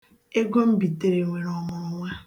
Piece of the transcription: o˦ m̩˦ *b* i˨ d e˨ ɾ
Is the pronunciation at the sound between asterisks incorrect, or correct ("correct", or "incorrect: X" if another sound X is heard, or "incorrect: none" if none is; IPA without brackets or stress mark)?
correct